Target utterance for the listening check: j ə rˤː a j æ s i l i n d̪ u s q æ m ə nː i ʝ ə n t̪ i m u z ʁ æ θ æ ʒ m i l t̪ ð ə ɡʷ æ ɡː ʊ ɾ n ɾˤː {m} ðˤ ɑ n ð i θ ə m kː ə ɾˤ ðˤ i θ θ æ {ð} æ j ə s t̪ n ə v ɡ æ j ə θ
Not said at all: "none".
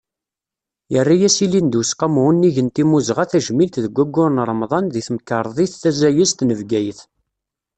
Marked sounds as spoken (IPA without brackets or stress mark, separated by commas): m, z